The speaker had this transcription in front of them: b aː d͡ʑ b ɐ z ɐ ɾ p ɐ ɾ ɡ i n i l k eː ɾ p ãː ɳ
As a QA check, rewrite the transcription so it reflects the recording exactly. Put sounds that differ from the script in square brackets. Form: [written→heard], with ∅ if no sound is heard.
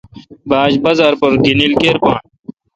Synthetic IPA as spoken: b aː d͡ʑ b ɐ z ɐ ɾ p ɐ ɾ ɡ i n i l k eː ɾ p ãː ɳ